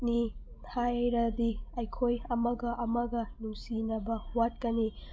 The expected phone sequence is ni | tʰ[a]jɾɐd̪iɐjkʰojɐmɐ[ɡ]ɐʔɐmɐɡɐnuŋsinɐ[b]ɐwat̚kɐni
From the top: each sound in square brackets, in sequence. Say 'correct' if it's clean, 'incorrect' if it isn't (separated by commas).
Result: correct, correct, correct